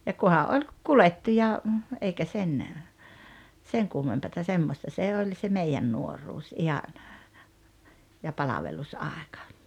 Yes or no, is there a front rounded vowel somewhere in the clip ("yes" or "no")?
no